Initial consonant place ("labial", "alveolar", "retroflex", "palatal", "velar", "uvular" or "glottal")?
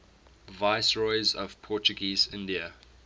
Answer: labial